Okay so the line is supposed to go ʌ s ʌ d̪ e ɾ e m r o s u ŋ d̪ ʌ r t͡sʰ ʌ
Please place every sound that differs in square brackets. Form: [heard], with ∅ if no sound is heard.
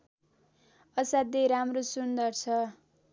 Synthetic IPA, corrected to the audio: ʌ s [a] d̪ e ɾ [a] m r o s u [n] d̪ ʌ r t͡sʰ ʌ